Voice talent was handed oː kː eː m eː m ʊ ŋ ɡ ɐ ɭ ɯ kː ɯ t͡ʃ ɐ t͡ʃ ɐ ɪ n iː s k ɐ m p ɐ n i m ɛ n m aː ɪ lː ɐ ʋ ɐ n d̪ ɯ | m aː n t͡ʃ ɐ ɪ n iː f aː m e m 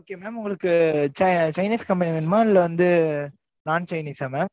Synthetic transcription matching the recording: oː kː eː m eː m ʊ ŋ ɡ ɐ ɭ ɯ kː ɯ t͡ʃ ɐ t͡ʃ ɐ ɪ n iː s k ɐ m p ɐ n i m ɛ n m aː ɪ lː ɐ ʋ ɐ n d̪ ɯ | n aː n t͡ʃ ɐ ɪ n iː s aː m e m

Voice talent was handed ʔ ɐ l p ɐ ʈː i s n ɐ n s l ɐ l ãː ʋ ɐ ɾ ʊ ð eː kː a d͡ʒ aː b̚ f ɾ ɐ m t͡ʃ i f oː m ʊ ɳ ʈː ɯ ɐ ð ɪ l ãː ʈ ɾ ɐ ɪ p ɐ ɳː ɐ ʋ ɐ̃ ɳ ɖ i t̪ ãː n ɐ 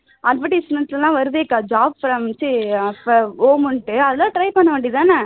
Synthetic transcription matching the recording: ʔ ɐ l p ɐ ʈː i s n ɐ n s l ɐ l ãː ʋ ɐ ɾ ɯ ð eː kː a d͡ʒ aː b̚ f ɾ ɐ m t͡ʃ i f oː m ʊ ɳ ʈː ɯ ɐ ð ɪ l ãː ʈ ɾ ɐ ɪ p ɐ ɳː ɐ ʋ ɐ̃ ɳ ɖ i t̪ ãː n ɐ

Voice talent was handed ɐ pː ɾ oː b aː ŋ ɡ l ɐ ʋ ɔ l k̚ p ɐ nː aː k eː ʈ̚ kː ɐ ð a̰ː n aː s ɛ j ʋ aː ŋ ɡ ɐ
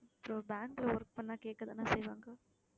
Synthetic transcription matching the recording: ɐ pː ɾ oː b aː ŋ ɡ l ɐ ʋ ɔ ɾ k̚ p ɐ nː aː k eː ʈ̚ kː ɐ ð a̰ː n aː s ɛ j ʋ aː ŋ ɡ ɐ

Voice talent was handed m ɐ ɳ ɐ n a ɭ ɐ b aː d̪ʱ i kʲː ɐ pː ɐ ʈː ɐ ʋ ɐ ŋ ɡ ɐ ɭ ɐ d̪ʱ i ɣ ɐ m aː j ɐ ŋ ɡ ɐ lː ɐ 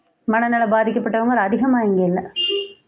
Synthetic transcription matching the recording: m ɐ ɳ ɐ n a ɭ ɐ b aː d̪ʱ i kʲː ɐ pː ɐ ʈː ɐ ʋ ɐ ŋ ɡ ɐ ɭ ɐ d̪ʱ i ɣ ɐ m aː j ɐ ŋ ɡ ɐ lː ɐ

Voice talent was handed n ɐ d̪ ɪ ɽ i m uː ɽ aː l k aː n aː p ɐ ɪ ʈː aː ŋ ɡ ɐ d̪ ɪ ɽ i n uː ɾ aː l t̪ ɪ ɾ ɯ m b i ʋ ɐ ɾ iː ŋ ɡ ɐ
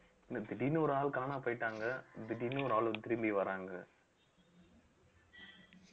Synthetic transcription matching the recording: n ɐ d̪ ɪ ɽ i n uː ɾ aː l k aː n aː p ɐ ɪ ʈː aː ŋ ɡ ɐ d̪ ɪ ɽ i n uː ɾ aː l t̪ ɪ ɾ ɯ m b i ʋ ɐ ɾ aː ŋ ɡ ɐ

